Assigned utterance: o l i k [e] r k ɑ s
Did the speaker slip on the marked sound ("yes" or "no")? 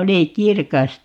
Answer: yes